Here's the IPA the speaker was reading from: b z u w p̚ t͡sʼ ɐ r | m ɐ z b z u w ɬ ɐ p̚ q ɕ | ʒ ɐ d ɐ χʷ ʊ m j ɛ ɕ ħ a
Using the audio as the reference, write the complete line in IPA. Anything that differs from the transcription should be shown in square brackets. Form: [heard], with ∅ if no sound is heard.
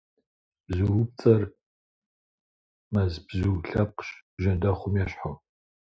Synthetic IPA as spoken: b z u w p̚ t͡sʼ ɐ r | m ɐ z b z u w ɬ ɐ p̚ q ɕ | ʒ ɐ d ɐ χʷ ʊ m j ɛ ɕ ħ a